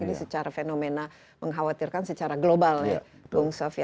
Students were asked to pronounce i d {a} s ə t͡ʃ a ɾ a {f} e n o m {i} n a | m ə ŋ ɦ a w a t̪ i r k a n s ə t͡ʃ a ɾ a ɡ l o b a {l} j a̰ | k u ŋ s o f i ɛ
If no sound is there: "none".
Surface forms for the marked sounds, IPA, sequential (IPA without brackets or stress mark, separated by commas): i, f, e, l